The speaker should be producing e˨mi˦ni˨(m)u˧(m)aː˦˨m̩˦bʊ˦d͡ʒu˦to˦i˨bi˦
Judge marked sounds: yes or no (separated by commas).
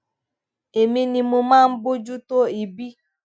yes, yes